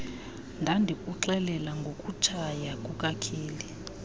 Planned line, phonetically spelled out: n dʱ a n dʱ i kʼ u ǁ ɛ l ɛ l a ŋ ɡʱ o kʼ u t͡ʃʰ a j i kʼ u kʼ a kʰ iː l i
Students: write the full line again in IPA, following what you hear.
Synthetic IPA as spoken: n dʱ a n dʱ i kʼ u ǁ ɛ l ɛ l a ŋ ɡʱ o kʼ u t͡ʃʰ a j a kʼ u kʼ a kʰ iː l i

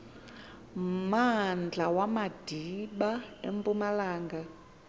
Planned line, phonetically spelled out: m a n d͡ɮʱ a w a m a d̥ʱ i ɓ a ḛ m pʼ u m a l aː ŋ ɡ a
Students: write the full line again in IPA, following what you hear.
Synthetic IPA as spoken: m a n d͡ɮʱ a w a m a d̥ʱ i ɓ a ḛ m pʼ u m a l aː ŋ ɡ a

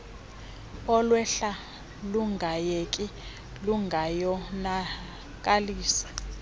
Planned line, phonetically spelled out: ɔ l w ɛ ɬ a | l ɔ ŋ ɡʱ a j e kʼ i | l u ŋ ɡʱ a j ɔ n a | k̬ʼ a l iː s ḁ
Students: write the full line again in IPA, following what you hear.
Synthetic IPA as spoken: ɔ l w ɛ ɬ a | l u ŋ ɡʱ a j e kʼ i | l u ŋ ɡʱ a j ɔ n a | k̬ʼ a l iː s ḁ

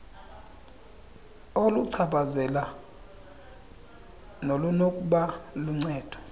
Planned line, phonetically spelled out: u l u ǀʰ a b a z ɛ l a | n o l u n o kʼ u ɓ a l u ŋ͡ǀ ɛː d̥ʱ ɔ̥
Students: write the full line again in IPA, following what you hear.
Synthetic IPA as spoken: o l u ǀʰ a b a z ɛ l a | n o l u n o kʼ u ɓ a l u ŋ͡ǀ ɛː d̥ʱ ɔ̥

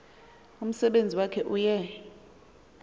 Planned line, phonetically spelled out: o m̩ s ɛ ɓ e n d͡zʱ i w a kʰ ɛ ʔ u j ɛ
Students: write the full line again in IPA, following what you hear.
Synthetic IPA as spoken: u m̩ s ɛ ɓ e n d͡zʱ i w a kʰ ɛ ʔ u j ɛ

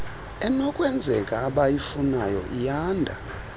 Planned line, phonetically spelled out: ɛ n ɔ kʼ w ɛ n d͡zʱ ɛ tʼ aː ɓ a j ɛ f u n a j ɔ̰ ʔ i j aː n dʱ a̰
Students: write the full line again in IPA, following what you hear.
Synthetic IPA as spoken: ɛ n ɔ kʼ w ɛ n d͡zʱ ɛ kʼ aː ɓ a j i f u n a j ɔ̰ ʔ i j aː n dʱ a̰

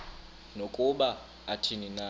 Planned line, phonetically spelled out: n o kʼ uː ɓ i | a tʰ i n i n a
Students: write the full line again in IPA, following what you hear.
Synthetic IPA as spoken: n o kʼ u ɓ a | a tʰ i n i n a

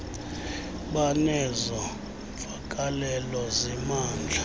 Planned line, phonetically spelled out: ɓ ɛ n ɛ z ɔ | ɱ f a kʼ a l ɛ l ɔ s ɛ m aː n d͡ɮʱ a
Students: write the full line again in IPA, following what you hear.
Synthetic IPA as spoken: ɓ a n ɛ z ɔ | ɱ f a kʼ a l ɛ l ɔ z ɛ m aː n d͡ɮʱ a

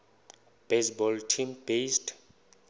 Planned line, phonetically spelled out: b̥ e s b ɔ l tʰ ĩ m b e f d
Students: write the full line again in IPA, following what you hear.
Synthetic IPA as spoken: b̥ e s b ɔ l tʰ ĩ m b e s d

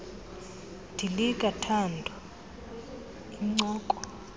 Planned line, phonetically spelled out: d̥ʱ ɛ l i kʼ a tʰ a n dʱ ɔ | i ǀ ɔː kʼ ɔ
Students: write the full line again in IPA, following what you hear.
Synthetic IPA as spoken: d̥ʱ i l i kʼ a tʰ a n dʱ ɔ | i ŋ͡ǀ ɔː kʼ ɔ

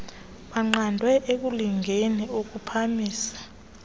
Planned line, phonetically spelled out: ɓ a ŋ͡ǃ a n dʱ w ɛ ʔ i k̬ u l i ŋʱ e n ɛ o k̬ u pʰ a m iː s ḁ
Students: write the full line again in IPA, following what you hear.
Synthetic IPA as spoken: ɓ a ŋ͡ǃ a n dʱ w ɛ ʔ e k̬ u l i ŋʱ e n i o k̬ u pʰ a m iː s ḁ

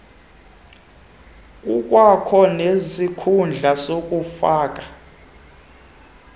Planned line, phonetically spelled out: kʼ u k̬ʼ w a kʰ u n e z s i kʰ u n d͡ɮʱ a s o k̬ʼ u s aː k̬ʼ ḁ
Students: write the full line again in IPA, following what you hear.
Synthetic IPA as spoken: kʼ u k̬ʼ w a kʰ ɔ n e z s i kʰ u n d͡ɮʱ a s o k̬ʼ u f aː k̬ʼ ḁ

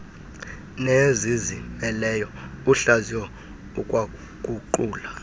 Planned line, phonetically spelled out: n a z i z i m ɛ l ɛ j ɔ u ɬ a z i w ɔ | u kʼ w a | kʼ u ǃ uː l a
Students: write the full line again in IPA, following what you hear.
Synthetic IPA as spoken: n e z i z i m ɛ l ɛ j ɔ u ɬ a z i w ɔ | u kʼ w a | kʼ u ǃ uː l a

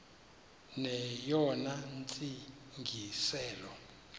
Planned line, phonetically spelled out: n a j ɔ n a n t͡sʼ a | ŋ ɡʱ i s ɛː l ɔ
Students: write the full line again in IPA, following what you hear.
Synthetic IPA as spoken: n ɛ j ɔ n a n t͡sʼ i | ŋ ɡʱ i s ɛː l ɔ

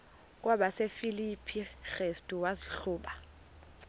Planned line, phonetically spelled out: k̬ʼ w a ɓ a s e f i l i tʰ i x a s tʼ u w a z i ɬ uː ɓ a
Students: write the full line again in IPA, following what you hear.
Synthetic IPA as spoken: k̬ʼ w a ɓ a s e f i l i pʰ i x e s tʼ u w a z i ɬ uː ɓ a

